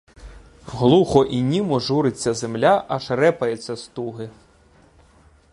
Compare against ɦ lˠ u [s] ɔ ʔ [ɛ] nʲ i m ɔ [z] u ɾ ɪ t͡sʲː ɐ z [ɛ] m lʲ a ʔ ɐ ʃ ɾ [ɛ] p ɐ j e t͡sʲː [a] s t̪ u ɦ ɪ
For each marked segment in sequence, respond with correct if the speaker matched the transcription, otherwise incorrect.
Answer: incorrect: x, incorrect: i, incorrect: ʒ, incorrect: e, correct, incorrect: ɐ

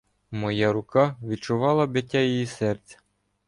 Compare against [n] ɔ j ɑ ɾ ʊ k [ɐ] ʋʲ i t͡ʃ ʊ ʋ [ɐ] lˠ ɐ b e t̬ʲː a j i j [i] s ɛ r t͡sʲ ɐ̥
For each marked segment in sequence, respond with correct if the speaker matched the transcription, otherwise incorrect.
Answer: incorrect: m, incorrect: ɑ, incorrect: ɑ, correct

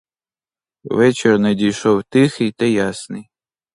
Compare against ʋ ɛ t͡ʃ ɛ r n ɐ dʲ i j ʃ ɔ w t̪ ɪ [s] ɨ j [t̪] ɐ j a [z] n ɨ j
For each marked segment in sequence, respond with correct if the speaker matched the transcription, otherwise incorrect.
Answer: incorrect: x, correct, incorrect: s

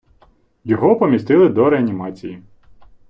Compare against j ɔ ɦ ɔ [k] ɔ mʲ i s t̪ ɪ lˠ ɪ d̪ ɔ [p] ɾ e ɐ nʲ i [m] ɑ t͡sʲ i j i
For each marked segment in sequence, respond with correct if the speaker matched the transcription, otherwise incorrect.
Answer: incorrect: p, incorrect: none, correct

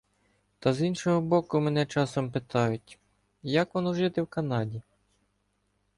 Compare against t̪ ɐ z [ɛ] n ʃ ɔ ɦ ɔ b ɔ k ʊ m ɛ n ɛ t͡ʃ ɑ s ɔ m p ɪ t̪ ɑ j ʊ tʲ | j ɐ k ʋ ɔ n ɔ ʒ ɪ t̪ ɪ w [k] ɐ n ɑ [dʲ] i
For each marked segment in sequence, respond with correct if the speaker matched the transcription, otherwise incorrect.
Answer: incorrect: i, correct, correct

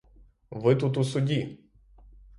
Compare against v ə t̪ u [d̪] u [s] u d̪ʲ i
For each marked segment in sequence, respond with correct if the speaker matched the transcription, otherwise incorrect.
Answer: incorrect: t̪, correct

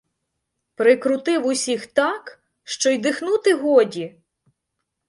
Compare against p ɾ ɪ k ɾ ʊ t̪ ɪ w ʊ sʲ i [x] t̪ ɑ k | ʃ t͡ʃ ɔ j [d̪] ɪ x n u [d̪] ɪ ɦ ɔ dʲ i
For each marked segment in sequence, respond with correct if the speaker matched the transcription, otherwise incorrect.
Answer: correct, correct, incorrect: t̪

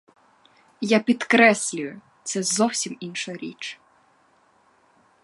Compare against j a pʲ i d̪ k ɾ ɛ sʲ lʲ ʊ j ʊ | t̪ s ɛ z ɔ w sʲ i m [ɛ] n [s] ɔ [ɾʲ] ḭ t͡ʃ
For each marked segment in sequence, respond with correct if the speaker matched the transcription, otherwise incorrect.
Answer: incorrect: i, incorrect: ʃ, correct

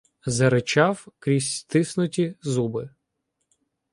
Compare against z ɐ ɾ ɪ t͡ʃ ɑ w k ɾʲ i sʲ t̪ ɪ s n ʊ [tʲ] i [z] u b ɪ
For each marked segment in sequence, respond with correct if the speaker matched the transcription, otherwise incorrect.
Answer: correct, correct

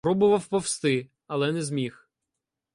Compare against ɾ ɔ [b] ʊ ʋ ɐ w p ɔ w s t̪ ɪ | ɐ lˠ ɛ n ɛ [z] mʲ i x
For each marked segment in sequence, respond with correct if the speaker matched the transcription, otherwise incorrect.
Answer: correct, correct

